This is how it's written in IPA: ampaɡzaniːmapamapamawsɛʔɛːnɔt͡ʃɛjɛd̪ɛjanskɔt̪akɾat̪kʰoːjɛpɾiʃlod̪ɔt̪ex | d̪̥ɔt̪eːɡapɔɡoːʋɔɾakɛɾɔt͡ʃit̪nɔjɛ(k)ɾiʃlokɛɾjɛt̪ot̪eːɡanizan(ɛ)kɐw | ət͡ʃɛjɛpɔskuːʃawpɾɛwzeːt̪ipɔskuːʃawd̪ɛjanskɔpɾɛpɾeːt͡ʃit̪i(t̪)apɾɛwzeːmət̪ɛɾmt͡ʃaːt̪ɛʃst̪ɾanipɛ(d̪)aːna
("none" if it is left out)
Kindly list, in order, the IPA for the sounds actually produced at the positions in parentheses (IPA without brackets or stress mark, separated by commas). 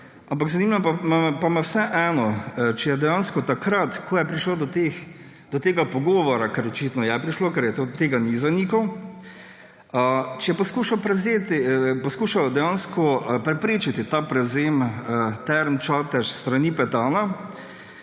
p, i, t̪, t̪